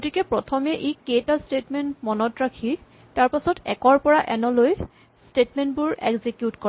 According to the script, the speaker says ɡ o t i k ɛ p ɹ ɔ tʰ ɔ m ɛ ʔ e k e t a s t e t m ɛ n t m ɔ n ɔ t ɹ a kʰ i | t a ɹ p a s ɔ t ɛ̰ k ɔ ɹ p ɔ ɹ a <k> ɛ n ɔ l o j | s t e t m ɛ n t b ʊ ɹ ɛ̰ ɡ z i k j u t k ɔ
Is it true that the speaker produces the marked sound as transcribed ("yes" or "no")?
no